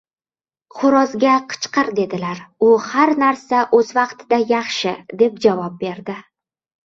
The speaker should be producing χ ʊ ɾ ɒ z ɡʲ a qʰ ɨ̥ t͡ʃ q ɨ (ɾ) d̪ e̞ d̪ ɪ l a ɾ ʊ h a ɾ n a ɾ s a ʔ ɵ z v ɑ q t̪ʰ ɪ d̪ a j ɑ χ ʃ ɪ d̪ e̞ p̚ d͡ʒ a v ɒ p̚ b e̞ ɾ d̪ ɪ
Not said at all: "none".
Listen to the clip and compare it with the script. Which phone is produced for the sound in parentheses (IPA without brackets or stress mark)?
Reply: ɾ